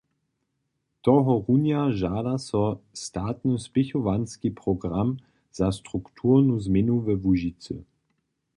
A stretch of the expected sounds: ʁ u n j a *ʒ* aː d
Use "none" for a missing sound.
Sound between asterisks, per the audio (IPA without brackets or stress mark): ʒ